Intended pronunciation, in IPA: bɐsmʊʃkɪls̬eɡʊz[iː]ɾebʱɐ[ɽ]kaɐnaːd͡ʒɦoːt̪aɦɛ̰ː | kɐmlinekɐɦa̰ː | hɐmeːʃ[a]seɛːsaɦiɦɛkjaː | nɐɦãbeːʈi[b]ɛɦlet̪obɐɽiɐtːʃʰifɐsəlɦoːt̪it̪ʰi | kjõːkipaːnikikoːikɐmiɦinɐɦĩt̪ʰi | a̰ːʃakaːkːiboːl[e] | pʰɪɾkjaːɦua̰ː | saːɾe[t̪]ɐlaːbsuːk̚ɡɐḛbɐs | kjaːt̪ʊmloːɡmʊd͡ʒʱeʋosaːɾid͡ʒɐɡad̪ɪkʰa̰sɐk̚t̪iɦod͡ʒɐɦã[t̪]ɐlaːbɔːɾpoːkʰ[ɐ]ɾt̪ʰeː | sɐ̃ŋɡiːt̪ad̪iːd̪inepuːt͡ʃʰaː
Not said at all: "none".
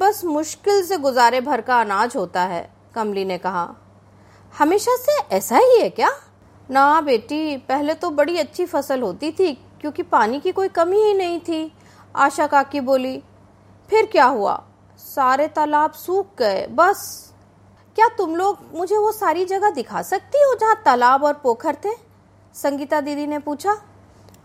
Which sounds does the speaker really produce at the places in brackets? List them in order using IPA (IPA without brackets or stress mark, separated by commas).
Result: aː, ɾ, a, p, i, t̪, t̪, ə